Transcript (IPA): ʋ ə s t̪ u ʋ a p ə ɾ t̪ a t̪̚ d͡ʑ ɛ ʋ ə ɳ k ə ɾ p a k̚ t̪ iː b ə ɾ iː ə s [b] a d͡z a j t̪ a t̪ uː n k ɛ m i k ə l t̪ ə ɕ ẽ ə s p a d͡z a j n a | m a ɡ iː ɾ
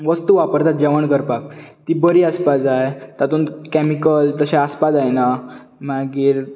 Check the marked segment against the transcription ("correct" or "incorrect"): incorrect